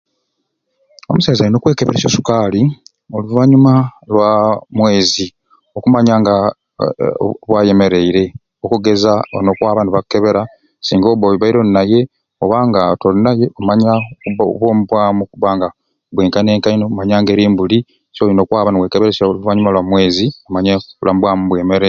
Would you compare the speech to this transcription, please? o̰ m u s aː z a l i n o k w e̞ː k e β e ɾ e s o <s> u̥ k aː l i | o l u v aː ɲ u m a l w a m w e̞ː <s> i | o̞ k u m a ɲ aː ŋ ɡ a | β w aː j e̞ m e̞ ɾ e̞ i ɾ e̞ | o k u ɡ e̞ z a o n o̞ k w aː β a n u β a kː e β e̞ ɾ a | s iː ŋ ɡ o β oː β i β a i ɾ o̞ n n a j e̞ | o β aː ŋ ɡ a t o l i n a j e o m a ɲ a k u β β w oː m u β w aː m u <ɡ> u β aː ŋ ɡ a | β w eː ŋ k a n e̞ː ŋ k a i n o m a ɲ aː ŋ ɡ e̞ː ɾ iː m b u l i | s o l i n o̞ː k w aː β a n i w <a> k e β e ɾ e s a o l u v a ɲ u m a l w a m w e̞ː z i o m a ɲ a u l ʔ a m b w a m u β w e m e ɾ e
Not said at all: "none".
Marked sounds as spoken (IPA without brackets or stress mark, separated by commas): s, z, k, e